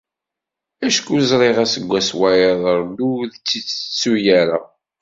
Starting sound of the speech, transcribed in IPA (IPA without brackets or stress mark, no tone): æ